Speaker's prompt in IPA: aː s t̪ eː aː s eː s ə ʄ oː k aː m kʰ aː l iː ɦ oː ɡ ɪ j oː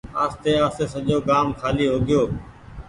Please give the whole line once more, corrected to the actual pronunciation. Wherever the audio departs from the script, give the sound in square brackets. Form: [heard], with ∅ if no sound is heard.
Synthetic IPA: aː s t̪ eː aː s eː s ə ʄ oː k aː m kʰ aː l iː ɦ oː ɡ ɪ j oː